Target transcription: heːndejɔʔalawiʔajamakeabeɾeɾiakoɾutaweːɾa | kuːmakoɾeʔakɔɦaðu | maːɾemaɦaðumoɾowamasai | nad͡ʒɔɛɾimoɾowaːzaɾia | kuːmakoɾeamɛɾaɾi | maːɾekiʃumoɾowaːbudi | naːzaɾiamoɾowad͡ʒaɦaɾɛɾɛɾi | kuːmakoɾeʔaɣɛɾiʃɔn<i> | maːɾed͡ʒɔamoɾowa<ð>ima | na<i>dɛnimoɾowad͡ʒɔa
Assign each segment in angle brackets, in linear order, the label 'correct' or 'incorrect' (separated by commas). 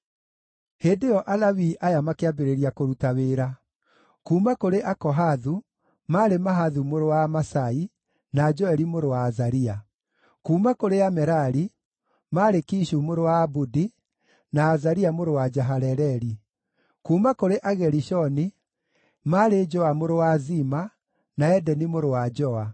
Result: correct, incorrect, incorrect